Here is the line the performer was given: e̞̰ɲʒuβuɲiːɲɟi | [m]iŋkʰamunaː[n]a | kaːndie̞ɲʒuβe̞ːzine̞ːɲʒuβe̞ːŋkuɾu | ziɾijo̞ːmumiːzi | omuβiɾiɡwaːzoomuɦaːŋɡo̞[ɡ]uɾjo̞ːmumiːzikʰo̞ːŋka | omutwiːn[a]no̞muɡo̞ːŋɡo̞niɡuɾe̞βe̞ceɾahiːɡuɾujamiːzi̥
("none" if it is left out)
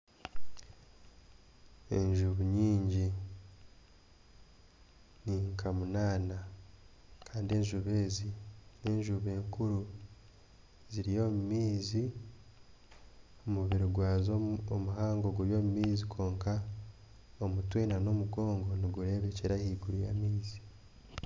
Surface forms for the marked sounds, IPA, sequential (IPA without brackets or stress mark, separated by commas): n, n, ɡ, a